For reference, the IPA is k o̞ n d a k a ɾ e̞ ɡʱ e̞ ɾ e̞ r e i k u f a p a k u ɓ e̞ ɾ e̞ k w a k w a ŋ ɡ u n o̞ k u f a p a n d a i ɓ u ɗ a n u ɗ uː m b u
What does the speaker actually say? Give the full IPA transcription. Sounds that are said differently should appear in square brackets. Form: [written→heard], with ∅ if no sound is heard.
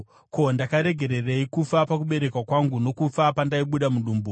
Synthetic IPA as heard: k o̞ n d a k a ɾ e̞ ɡʱ e̞ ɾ e̞ r e i k u f a p a k u ɓ e̞ ɾ e̞ k w a k w a ŋ ɡ u n o̞ k u f a p a n d a i ɓ u ɗ a [n→m] u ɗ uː m b u